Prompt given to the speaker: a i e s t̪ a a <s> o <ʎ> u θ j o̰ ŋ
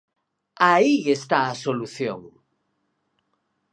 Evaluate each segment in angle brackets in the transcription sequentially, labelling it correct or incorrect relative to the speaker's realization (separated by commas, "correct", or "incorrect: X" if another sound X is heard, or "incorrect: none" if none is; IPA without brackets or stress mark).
correct, incorrect: l